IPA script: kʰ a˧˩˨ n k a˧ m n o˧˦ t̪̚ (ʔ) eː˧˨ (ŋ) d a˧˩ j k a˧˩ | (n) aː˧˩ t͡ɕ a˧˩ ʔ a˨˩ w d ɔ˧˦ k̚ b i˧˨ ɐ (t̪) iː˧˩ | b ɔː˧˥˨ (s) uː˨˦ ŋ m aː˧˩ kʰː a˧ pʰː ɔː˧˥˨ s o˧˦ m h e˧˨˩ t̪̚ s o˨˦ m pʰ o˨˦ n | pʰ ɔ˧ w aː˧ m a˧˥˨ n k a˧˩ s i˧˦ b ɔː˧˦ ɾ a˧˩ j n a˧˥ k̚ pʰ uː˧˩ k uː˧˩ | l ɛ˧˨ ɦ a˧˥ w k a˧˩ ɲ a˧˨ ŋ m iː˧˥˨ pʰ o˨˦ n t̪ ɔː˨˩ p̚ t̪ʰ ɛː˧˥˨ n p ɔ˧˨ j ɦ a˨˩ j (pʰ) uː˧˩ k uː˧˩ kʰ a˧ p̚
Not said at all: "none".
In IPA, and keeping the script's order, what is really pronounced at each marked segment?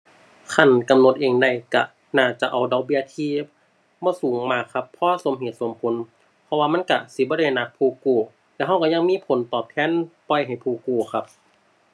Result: ʔ, ŋ, n, t̪ʰ, s, pʰ

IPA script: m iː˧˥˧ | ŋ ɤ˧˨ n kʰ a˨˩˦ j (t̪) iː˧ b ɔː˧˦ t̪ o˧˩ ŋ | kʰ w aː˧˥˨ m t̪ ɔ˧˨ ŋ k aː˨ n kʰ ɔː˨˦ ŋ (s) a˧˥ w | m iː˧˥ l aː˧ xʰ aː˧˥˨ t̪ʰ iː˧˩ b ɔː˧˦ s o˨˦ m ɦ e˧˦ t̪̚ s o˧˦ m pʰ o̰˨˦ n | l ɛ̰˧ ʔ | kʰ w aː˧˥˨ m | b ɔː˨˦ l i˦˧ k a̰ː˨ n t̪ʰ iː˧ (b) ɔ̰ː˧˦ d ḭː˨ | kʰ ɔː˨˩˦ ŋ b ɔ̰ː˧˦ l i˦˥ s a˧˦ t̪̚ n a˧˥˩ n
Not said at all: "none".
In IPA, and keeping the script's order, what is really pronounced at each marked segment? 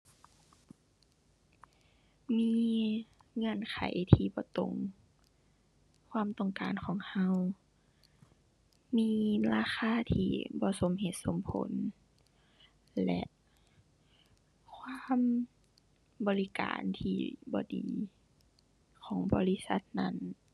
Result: t̪ʰ, h, b

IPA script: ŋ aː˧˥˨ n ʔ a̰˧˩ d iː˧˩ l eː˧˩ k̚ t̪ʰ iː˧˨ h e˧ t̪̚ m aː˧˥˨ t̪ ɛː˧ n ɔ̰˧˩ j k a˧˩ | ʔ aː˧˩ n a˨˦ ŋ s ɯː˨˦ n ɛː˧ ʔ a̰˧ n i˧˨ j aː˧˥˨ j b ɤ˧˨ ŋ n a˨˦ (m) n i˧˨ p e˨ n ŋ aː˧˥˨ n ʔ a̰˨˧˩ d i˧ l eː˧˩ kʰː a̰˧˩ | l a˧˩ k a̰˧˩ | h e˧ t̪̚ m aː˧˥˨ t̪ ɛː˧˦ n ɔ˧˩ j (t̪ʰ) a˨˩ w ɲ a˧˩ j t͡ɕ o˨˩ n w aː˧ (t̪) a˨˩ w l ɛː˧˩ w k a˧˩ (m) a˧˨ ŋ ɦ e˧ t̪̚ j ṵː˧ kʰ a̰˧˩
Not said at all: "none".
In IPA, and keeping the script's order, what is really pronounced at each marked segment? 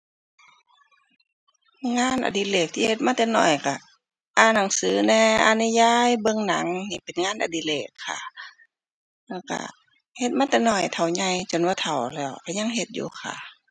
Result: ŋ, t̪ʰ, t̪ʰ, ɲ

